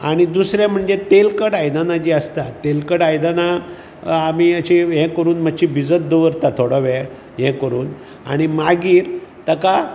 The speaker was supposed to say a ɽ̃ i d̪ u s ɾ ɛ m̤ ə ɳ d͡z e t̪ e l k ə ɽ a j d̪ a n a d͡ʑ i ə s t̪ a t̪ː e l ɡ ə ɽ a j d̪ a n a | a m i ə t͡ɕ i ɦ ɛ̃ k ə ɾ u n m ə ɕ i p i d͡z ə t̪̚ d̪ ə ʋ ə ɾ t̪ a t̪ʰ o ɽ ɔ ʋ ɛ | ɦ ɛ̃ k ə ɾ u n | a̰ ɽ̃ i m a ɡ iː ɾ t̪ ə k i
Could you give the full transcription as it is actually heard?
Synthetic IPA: a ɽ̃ i d̪ u s ɾ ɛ m̤ ə ɳ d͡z e t̪ e l k ə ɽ a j d̪ a n a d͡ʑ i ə s t̪ a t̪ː e l k ə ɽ a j d̪ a n a | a m i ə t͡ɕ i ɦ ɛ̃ k ə ɾ uː n m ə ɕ i b i d͡z ə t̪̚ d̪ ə ʋ ə ɾ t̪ a t̪ʰ o ɽ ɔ ʋ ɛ | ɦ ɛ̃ k ə ɾ uː n | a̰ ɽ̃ i m a ɡ iː ɾ t̪ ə k a